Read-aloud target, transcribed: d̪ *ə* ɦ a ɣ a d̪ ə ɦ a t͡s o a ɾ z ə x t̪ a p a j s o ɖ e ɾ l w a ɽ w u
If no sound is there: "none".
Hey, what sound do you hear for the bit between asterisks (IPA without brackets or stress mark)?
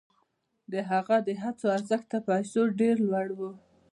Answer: ə